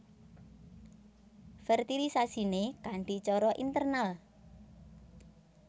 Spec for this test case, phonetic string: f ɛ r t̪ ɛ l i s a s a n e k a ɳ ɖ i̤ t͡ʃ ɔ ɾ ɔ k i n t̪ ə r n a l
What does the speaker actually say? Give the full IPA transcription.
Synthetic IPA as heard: f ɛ r t̪ i l i s a s i n e k a ɳ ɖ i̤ t͡ʃ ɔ ɾ ɔ ʔ i n t̪ ə r n a l